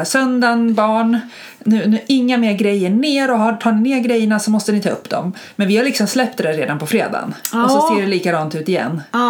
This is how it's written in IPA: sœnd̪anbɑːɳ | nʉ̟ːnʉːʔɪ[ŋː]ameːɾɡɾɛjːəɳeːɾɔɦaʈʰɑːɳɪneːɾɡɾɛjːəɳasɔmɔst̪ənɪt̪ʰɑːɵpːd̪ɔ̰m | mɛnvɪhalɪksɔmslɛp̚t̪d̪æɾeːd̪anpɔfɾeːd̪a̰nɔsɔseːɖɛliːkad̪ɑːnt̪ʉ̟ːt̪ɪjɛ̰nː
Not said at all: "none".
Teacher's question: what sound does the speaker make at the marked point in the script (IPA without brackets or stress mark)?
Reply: ŋː